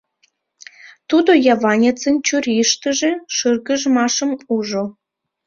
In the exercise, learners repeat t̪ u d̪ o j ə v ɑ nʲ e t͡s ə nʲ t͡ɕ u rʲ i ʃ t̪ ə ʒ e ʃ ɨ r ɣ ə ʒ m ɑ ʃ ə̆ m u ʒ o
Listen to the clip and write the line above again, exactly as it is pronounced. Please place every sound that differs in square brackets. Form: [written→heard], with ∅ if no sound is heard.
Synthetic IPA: t̪ u d̪ o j [ə→ɑ] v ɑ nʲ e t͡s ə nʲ t͡ɕ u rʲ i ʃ t̪ ə ʒ e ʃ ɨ r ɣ ə ʒ m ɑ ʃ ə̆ m u ʒ o